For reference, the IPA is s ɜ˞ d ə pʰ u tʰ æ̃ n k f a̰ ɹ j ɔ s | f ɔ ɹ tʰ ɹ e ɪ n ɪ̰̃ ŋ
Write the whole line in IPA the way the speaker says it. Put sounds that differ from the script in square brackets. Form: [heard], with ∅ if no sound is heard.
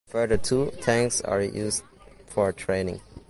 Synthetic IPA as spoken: [f] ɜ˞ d ə [tʰ] u tʰ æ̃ [ŋ] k [s] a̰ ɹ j [u] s | f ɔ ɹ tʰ ɹ e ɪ n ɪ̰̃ ŋ